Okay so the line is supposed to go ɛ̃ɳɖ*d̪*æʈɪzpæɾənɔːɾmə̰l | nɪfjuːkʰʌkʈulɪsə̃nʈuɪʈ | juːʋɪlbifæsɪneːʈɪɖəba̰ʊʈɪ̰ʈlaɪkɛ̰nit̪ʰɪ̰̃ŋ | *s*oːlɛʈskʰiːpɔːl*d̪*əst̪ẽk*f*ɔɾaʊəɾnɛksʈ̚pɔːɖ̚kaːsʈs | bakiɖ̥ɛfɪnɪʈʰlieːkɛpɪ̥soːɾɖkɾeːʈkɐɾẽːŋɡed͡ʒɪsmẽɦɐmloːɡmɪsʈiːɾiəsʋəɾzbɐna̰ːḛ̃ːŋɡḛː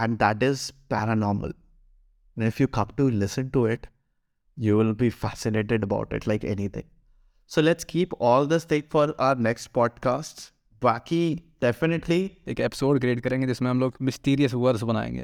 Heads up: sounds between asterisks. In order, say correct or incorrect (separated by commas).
correct, correct, correct, correct